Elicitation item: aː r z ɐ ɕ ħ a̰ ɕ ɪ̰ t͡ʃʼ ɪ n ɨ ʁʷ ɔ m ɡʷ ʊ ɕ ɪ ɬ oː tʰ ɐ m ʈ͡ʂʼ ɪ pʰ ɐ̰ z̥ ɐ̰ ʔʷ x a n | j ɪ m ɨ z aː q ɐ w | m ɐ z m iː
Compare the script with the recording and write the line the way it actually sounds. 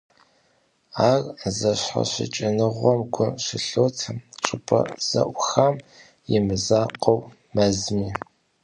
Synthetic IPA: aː r z ɐ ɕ ħ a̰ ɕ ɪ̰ t͡ʃʼ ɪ n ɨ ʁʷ ɔ m ɡʷ ʊ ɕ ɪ ɬ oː tʰ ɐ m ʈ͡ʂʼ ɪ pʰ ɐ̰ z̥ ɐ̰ ʔʷ x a m | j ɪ m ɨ z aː q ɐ w | m ɐ z m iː

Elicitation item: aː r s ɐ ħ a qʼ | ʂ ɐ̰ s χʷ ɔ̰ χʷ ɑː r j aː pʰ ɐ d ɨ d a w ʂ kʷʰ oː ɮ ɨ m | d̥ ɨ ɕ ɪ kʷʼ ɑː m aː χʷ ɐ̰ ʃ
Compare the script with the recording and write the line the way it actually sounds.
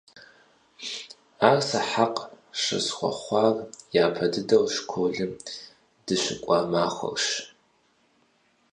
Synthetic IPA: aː r s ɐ ħ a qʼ | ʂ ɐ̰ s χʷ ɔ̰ χʷ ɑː r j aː pʰ ɐ d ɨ d ɐ w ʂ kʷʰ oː ɮ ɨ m | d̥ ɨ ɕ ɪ kʷʼ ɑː m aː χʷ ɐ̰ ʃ

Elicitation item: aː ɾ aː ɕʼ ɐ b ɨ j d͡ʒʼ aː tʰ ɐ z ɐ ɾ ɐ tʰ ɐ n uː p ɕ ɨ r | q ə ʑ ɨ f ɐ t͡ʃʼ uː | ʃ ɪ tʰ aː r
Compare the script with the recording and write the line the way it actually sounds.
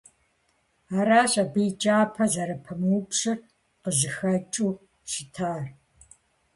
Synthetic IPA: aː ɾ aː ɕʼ ɐ b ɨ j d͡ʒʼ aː pʰ ɐ z ɐ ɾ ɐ pʰ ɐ m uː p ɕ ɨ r | q ə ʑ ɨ x ɐ t͡ʃʼ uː | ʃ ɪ tʰ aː r

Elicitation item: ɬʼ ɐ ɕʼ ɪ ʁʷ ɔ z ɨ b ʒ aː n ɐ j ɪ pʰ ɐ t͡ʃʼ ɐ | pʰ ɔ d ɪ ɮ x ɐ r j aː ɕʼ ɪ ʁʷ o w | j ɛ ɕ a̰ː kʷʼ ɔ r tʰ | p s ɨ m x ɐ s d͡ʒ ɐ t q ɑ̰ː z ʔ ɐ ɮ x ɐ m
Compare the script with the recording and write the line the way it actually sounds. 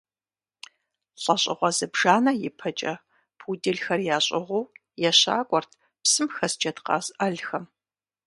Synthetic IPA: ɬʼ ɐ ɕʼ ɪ ʁʷ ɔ z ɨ b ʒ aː n ɐ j ɪ pʰ ɐ t͡ʃʼ ɐ | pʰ u d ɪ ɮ x ɐ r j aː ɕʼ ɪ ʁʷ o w | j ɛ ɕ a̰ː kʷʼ ɔ r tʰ | p s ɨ m x ɐ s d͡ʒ ɐ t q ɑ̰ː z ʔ ɐ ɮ x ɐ m

